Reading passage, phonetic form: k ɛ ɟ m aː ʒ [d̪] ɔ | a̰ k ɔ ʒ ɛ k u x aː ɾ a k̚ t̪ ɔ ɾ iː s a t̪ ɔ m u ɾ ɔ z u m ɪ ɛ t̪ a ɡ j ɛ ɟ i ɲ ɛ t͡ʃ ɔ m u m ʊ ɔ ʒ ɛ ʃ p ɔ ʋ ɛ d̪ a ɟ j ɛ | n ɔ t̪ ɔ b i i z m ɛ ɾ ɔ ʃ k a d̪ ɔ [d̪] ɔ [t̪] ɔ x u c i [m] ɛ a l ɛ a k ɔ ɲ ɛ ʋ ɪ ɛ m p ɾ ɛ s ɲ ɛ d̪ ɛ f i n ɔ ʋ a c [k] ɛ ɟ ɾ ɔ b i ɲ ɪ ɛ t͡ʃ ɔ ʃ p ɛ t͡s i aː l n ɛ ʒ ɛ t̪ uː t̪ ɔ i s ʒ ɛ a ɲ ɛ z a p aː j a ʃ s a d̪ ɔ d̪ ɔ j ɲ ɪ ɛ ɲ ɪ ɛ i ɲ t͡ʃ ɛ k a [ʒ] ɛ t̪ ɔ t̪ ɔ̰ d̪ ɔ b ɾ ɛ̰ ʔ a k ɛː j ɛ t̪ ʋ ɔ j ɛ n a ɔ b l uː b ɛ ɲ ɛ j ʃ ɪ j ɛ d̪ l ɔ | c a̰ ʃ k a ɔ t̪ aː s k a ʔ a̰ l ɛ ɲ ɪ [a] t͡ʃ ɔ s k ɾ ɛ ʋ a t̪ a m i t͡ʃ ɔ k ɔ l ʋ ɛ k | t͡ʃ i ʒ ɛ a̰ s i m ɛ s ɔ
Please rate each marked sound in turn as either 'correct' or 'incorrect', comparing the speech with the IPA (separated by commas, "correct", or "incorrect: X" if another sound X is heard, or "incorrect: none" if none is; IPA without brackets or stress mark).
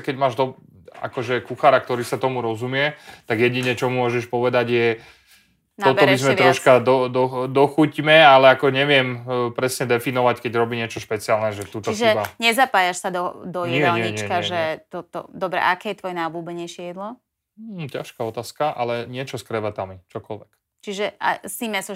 correct, correct, incorrect: d̪, correct, correct, correct, incorrect: ɛ